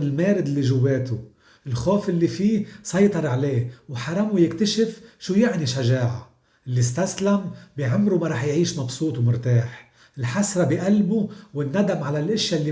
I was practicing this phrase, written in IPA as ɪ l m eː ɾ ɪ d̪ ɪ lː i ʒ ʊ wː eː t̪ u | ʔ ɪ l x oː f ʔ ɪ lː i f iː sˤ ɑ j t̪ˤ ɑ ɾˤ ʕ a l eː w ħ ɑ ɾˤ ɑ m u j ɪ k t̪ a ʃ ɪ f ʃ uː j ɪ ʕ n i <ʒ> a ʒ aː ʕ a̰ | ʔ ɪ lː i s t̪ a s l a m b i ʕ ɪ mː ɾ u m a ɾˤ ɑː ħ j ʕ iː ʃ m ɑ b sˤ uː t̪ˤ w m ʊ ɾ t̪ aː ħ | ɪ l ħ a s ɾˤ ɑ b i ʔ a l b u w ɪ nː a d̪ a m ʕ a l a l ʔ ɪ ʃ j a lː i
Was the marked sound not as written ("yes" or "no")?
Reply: yes